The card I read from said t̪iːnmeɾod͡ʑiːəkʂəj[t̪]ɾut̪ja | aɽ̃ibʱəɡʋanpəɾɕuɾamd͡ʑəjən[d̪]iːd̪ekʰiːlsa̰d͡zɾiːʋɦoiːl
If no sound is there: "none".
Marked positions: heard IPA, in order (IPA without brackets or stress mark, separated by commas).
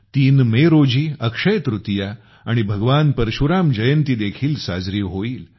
t̪, t̪